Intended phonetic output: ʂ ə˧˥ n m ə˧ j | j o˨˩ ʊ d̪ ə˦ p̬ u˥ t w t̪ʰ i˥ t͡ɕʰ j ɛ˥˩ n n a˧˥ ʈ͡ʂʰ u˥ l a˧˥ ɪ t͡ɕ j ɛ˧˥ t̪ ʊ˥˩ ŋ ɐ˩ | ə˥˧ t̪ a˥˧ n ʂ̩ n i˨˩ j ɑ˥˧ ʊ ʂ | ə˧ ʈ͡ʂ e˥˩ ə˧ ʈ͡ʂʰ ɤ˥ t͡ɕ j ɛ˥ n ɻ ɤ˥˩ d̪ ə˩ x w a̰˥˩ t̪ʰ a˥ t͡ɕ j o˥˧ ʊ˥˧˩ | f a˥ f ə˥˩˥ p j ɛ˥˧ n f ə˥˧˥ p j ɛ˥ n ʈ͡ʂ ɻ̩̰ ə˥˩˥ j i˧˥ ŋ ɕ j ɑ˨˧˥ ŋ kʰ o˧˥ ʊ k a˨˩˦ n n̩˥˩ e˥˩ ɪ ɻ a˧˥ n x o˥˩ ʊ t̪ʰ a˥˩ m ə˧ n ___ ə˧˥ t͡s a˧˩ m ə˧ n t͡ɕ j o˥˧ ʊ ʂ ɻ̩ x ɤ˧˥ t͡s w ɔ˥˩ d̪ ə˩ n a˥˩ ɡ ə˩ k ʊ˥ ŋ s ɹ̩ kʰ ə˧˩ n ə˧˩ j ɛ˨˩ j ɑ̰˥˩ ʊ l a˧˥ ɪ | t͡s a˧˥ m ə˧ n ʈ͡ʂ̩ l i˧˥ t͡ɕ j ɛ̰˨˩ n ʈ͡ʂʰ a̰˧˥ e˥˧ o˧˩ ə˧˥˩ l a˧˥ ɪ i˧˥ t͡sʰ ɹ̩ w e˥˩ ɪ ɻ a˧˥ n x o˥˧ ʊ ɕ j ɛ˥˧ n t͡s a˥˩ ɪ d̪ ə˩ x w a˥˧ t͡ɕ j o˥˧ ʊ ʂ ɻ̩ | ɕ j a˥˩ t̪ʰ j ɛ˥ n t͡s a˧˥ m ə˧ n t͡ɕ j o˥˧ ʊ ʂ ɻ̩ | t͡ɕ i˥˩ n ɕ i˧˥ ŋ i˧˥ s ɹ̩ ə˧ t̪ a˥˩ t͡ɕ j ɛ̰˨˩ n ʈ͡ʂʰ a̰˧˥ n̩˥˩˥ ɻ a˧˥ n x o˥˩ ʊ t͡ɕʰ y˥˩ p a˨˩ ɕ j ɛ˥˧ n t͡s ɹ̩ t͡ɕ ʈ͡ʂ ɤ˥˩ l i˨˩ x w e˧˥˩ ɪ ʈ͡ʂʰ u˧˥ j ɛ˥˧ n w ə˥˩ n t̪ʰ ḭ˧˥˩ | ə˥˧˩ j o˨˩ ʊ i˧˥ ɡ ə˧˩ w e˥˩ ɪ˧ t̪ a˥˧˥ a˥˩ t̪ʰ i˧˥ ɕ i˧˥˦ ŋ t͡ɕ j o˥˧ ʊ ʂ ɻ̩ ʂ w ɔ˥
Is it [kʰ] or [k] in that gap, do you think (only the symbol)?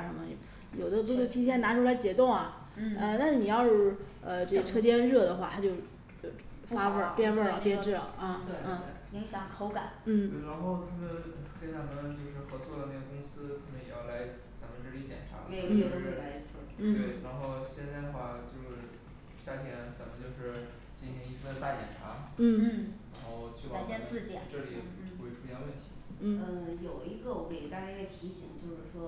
k